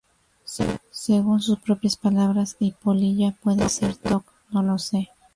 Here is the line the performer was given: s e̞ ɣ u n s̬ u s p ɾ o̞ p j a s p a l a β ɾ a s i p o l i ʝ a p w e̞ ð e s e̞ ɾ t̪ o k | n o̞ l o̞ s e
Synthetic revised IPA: s e̞ ɣ u n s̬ u s p ɾ o̞ p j a s p a l a β ɾ a s i p o l i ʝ a p w e̞ ð e s e̞ ɾ t̪ o k | n o̞ l o̞ s e